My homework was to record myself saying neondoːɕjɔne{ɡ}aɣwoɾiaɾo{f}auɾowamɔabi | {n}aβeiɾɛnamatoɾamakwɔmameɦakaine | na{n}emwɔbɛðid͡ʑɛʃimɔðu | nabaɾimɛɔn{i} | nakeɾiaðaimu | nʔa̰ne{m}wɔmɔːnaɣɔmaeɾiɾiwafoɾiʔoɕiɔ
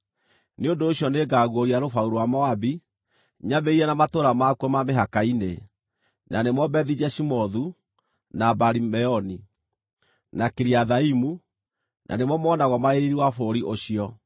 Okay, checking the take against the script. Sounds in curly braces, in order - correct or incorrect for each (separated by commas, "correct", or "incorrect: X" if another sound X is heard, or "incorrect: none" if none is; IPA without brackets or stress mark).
correct, correct, incorrect: ɲ, correct, correct, correct